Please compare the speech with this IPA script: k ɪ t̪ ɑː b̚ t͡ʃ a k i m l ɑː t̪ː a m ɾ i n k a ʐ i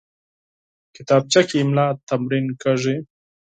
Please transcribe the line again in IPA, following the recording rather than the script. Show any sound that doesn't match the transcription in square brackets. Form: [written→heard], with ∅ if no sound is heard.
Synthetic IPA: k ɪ t̪ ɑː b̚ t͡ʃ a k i m l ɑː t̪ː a m ɾ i n k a ʐ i